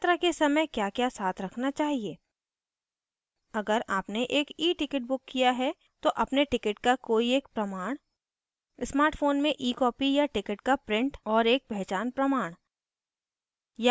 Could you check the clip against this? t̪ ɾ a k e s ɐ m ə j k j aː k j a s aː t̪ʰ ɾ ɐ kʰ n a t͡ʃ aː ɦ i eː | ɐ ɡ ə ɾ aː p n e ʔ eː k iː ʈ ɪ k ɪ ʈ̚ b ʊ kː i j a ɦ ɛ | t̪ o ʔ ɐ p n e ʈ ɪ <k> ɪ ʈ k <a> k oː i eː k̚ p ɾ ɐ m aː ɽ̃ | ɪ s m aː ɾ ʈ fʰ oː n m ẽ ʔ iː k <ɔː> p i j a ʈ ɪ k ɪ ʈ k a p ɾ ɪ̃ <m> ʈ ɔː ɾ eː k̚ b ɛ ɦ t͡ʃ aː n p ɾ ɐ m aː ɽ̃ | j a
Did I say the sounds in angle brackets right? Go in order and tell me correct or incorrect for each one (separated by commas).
correct, correct, correct, incorrect